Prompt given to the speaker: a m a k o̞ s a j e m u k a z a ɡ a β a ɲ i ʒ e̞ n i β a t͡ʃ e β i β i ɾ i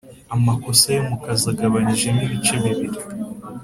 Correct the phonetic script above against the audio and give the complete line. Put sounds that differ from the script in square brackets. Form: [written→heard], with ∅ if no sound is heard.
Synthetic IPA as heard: a m a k o̞ s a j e m u k a z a ɡ a β a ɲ i ʒ e̞ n i β [a→i] t͡ʃ e β i β i ɾ i